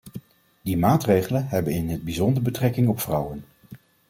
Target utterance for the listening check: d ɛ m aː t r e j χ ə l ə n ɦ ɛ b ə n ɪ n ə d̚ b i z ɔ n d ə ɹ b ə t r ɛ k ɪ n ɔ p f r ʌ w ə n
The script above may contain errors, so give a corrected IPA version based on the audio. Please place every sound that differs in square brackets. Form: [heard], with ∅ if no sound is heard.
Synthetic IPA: d [i] m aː t r e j χ ə l ə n ɦ ɛ b ə n ɪ n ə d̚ b i z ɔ n d ə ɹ b ə t r ɛ k ɪ [ŋ] ɔ p f r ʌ w ə n